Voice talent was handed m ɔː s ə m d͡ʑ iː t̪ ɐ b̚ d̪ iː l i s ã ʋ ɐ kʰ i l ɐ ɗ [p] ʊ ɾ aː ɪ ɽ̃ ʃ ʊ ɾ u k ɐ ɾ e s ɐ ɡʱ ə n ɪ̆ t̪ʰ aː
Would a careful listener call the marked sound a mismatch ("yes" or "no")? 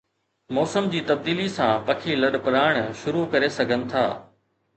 no